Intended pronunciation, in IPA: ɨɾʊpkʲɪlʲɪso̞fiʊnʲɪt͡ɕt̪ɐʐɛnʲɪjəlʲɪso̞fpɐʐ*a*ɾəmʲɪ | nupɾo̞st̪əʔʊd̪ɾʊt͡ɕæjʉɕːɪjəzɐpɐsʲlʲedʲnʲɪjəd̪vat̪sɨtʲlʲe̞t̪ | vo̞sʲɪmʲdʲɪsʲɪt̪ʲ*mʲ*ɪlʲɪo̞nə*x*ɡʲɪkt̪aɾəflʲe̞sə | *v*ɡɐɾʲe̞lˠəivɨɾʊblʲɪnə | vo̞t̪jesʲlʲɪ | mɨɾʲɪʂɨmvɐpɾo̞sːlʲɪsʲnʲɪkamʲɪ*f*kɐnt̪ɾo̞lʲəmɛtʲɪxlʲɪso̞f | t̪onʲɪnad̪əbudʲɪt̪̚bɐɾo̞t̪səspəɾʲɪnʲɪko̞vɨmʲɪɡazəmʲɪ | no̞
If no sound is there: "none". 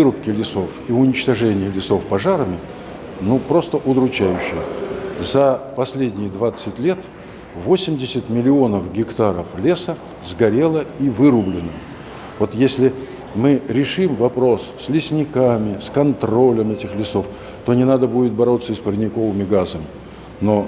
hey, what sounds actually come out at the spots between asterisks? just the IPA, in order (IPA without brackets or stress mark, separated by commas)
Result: a, mʲ, f, z, s